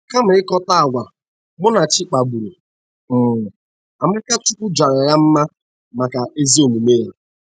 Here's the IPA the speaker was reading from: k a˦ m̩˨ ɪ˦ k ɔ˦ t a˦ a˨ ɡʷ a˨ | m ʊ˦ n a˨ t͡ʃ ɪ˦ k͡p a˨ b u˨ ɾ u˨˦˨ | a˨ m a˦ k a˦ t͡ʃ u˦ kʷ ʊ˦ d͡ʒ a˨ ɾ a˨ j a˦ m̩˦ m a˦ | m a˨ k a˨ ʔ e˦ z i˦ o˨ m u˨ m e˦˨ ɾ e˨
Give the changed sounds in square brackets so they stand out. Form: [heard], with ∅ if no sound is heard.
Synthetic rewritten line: k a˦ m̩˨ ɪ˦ k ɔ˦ t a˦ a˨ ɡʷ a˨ | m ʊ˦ n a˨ t͡ʃ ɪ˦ k͡p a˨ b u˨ ɾ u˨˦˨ | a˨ m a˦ k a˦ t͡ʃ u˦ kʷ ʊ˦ d͡ʒ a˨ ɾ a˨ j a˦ m̩˦ m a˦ | m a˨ k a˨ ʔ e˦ z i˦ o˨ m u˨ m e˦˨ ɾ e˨